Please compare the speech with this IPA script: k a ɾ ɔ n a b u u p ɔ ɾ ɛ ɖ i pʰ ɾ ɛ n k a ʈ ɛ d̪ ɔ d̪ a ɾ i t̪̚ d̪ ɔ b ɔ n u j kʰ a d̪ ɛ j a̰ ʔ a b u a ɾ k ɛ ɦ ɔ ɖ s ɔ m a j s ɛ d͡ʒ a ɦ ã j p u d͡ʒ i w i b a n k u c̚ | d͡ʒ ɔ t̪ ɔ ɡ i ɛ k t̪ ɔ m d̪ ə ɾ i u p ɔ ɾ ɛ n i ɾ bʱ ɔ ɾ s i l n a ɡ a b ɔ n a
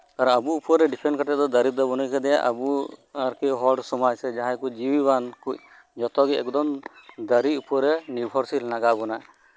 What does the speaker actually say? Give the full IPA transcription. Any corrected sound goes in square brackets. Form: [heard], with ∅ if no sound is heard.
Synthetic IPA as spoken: k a ɾ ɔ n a b u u p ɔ ɾ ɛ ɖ i pʰ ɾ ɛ n k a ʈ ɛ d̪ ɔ d̪ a ɾ i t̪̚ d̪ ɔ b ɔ n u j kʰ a d̪ ɛ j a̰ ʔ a b u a ɾ k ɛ ɦ ɔ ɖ s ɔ m a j s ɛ d͡ʒ a ɦ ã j [k] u d͡ʒ i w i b a n k u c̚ | d͡ʒ ɔ t̪ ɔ ɡ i ɛ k [d̪] ɔ m d̪ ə ɾ i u p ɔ ɾ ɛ n i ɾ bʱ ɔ ɾ s i l n a ɡ a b ɔ n a